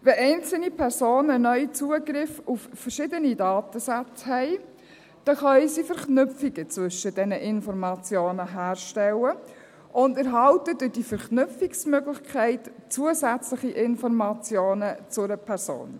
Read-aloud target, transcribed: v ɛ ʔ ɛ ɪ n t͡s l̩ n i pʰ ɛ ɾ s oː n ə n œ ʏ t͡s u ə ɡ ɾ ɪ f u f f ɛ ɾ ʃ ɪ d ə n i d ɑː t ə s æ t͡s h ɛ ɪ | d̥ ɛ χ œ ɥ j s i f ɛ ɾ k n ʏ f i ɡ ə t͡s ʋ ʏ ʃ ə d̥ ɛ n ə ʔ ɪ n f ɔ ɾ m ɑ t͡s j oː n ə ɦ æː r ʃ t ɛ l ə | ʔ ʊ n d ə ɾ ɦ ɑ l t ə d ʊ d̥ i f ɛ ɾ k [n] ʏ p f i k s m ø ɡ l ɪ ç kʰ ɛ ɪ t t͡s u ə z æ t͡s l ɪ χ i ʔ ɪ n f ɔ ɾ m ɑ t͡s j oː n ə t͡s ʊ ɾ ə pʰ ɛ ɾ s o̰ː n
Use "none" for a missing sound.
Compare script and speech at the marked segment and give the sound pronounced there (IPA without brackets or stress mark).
n